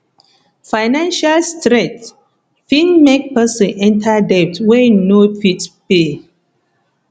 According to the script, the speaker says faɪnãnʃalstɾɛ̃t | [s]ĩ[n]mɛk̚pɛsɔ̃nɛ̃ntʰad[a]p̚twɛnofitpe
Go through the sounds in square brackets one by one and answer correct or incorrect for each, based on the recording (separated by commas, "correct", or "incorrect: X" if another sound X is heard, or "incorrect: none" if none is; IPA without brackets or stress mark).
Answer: incorrect: f, correct, incorrect: ɛ